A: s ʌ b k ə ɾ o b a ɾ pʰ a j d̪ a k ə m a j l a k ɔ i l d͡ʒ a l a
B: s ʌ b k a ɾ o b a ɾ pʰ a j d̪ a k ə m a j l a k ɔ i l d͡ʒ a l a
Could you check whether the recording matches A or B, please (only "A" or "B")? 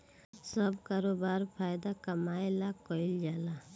B